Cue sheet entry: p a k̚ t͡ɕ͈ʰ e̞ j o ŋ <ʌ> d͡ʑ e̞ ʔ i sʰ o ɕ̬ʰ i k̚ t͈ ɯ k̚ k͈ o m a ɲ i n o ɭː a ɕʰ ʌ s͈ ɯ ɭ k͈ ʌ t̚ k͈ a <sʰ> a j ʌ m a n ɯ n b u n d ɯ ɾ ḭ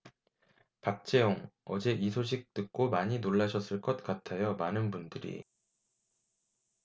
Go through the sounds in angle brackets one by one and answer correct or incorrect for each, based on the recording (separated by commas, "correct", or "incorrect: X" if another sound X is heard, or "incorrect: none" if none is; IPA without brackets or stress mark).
correct, incorrect: tʰ